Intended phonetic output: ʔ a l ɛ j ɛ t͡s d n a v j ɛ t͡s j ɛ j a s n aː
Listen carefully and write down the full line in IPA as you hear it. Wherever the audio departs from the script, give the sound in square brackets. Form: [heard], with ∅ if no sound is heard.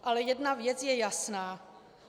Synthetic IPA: ʔ a l ɛ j ɛ [∅] d n a v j ɛ t͡s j ɛ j a s n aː